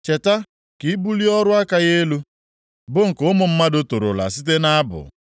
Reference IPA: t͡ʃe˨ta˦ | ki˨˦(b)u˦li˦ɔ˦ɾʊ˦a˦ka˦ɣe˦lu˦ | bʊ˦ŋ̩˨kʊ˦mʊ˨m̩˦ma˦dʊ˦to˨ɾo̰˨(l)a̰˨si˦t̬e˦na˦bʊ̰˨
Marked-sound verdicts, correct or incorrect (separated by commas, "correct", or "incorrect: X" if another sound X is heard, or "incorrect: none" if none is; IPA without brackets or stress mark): correct, correct